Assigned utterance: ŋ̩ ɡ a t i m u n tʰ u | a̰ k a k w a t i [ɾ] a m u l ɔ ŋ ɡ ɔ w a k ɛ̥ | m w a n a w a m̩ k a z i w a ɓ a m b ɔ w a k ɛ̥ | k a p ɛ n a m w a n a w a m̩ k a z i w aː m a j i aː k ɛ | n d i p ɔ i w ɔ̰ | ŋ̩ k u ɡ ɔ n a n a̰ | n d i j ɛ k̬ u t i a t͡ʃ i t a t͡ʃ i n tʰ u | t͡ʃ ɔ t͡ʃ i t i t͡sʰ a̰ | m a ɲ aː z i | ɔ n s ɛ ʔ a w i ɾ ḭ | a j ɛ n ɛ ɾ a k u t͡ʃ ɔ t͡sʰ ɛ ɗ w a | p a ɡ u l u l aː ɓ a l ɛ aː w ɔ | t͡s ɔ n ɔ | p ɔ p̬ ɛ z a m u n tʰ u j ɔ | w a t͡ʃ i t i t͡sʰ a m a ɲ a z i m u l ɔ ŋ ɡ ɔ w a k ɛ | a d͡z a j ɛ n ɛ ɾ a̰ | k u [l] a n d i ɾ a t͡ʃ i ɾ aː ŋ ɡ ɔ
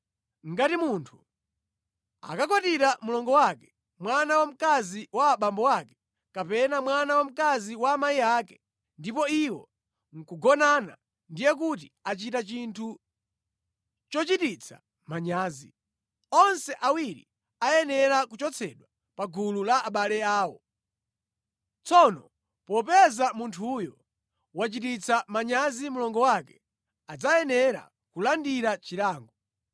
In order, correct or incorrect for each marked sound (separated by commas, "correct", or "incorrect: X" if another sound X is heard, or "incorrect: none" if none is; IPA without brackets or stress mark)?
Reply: correct, correct